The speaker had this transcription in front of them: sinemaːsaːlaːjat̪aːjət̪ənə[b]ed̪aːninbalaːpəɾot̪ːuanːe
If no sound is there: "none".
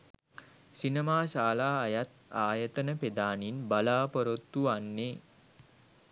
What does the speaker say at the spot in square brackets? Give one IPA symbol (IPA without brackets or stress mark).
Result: p